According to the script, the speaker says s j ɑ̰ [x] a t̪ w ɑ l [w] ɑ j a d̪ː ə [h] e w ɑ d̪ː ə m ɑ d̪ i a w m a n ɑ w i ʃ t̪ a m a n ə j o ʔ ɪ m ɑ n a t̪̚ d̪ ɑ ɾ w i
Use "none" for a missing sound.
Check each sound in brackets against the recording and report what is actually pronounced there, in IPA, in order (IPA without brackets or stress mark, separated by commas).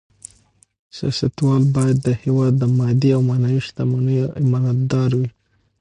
s, b, h